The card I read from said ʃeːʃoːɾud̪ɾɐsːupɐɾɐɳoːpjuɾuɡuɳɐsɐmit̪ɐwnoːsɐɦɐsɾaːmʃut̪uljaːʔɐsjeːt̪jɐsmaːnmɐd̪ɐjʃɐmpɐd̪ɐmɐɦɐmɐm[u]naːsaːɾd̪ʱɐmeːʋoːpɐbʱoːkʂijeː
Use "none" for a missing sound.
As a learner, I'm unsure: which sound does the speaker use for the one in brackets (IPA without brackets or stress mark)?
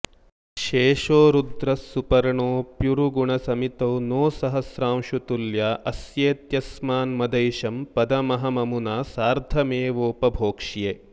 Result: u